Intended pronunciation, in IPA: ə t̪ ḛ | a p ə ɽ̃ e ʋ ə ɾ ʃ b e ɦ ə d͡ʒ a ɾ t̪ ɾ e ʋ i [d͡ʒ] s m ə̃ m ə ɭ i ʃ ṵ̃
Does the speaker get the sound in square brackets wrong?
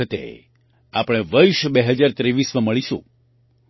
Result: yes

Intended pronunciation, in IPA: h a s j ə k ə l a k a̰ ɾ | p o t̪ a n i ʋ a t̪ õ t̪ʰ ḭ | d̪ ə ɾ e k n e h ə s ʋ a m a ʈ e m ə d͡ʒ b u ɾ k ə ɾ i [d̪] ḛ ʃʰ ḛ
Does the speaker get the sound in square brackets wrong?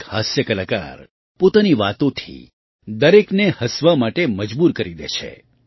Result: no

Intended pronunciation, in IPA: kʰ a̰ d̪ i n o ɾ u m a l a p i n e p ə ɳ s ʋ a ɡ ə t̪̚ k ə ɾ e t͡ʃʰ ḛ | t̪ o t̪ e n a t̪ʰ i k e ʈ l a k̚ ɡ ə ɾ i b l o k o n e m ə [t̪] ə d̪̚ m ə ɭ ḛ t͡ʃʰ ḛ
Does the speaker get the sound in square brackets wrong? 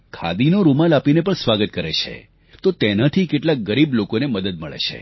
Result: yes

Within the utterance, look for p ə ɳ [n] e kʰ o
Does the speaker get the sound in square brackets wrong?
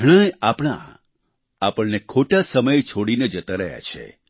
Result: no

